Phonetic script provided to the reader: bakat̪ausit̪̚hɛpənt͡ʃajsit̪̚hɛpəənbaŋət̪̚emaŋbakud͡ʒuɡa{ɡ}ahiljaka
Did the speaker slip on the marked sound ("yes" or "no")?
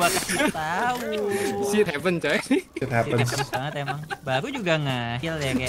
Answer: yes